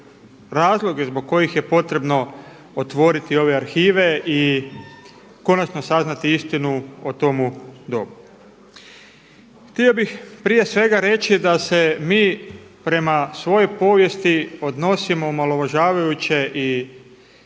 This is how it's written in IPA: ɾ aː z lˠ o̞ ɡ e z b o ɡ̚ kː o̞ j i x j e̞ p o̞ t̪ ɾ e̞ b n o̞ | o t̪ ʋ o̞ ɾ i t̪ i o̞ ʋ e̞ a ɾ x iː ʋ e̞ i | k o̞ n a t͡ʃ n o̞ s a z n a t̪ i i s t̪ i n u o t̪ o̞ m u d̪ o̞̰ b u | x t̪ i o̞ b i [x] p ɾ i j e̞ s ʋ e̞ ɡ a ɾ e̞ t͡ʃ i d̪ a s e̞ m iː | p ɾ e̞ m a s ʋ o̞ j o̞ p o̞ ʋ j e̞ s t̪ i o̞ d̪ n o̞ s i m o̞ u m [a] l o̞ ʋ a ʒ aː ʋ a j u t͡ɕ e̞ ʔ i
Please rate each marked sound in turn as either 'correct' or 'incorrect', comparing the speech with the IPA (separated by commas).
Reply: correct, correct